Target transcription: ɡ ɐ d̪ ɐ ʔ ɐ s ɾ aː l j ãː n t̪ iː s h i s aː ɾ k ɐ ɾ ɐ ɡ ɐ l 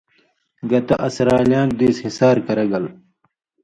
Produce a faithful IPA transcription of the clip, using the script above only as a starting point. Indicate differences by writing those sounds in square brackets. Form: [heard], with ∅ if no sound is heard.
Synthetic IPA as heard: ɡ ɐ [t̪] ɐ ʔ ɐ s ɾ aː l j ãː n [d̪] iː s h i s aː ɾ k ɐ ɾ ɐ ɡ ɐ l